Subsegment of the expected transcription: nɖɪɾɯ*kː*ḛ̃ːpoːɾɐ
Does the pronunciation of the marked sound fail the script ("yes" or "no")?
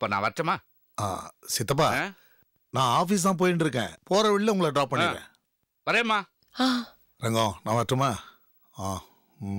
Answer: no